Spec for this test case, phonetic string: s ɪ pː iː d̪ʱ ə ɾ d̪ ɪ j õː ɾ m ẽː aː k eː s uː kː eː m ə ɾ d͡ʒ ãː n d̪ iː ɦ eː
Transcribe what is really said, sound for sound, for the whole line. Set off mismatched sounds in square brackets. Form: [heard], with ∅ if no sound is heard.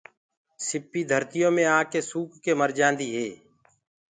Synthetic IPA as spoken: s ɪ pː iː d̪ʱ ə ɾ [t̪] ɪ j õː [∅] m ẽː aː k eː s uː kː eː m ə ɾ d͡ʒ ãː n d̪ iː ɦ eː